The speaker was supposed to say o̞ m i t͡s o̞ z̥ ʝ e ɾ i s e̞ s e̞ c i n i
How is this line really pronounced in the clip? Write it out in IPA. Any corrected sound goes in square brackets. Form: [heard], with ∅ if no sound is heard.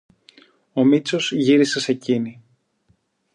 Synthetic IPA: o̞ m i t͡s o̞ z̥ ʝ [i] ɾ i s e̞ s e̞ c i n i